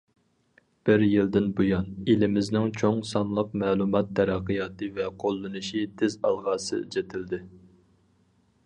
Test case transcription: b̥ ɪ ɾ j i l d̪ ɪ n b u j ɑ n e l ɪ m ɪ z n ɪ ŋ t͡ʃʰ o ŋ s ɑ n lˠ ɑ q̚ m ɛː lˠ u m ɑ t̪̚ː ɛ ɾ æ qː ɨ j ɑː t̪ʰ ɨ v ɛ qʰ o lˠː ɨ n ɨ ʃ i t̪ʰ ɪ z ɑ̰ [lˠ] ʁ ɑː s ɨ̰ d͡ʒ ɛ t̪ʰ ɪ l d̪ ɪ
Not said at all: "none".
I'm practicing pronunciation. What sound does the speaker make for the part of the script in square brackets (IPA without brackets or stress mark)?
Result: lˠ